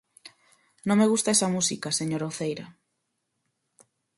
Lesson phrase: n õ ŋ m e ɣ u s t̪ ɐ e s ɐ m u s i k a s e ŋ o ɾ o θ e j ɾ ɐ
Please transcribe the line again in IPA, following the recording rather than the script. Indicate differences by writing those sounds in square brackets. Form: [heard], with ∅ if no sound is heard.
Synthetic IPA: n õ ŋ m e ɣ u s t̪ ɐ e s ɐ m u s i k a s e [ɲ] o ɾ o θ e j ɾ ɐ